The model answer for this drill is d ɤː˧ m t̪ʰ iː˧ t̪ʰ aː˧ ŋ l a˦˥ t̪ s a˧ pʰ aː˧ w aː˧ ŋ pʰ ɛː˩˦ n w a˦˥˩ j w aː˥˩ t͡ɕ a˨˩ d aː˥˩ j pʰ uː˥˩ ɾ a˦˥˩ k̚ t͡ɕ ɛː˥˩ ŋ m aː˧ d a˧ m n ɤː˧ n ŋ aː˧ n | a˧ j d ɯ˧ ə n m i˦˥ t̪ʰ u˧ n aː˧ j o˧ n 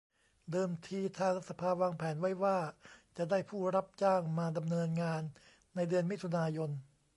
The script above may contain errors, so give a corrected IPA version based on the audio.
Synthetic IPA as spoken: d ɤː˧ m t̪ʰ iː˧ t̪ʰ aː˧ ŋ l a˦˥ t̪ s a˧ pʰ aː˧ w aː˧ ŋ pʰ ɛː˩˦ n w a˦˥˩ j w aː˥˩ t͡ɕ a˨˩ d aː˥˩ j pʰ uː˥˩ ɾ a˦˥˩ p̚ t͡ɕ aː˥˩ ŋ m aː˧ d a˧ m n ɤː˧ n ŋ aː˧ nː | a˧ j d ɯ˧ ə n m i˦˥ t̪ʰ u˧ n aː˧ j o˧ n